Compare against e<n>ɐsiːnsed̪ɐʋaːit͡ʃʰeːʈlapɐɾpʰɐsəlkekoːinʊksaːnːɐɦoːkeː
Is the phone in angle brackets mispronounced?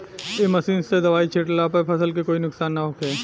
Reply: yes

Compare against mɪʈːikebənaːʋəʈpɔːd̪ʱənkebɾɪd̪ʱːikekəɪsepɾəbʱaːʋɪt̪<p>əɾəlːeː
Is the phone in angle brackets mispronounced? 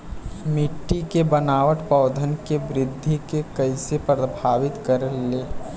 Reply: yes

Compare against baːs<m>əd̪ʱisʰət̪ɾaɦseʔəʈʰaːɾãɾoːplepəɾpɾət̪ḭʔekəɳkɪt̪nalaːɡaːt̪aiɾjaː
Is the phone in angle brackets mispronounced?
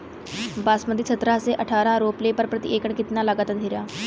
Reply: no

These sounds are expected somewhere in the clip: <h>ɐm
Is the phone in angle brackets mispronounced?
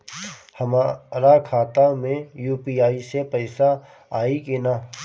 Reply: no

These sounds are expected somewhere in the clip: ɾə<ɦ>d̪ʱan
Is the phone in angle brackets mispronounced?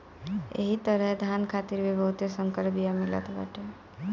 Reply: no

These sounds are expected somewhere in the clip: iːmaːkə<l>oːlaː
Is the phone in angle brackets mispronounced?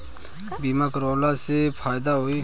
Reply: yes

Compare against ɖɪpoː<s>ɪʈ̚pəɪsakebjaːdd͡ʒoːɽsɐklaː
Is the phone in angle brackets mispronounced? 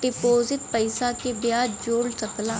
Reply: yes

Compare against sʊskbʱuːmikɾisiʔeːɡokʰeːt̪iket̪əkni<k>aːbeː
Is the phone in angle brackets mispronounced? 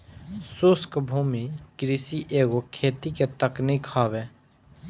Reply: yes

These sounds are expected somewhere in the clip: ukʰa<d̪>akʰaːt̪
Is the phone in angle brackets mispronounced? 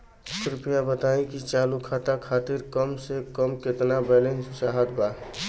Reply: yes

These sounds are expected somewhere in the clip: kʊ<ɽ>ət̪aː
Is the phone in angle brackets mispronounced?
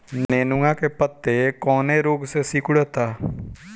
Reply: no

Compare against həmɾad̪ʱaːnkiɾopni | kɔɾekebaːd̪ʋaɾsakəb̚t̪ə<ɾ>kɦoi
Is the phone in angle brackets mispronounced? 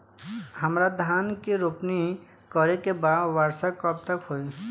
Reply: yes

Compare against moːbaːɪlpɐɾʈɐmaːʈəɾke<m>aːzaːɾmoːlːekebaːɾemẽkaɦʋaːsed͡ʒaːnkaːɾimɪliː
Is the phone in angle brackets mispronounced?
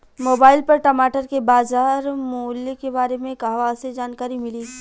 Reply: yes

